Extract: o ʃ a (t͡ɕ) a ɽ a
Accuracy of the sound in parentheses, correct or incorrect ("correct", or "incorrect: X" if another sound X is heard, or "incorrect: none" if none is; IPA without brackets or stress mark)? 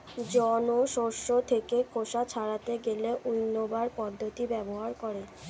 incorrect: t͡ɕʰ